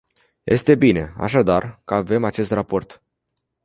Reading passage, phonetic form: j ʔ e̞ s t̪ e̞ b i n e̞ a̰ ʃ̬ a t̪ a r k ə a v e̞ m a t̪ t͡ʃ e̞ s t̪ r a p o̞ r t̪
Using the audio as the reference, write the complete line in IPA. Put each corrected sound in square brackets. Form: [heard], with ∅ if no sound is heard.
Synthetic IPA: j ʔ e̞ s t̪ e̞ b i n e̞ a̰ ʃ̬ a [d̪] a r k ə a v e̞ m a [∅] t͡ʃ e̞ s t̪ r a p o̞ r t̪